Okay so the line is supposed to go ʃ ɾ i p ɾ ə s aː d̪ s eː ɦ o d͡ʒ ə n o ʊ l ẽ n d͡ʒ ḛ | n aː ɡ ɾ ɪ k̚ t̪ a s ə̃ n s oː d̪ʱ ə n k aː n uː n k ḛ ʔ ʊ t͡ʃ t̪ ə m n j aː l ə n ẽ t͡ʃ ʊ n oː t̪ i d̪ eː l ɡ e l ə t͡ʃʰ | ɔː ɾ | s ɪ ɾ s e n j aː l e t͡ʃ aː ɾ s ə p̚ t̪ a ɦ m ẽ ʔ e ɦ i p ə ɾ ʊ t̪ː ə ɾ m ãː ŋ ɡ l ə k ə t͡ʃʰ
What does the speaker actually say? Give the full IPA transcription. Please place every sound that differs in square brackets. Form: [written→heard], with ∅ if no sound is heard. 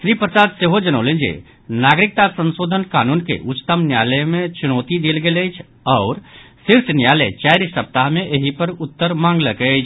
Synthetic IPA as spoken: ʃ ɾ i p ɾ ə s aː d̪ s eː ɦ o d͡ʒ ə n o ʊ l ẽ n d͡ʒ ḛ | n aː ɡ ɾ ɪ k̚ t̪ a s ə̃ n s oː d̪ʱ ə n k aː n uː n k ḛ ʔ ʊ t͡ʃ t̪ ə m n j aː l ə [n→m] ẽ t͡ʃ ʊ n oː t̪ i d̪ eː l ɡ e l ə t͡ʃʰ | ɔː ɾ | s ɪ ɾ s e n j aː l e t͡ʃ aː ɾ s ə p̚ t̪ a ɦ m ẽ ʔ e ɦ i p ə ɾ ʊ t̪ː ə ɾ m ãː ŋ ɡ l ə k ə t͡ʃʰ